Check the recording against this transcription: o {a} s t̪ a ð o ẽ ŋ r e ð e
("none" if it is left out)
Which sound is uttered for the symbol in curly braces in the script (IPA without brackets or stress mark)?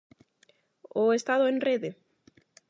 e